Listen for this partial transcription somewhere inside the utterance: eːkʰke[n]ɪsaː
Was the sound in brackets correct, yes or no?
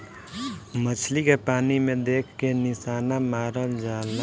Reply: yes